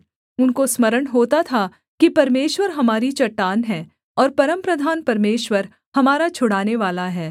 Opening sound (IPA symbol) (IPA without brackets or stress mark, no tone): ʊ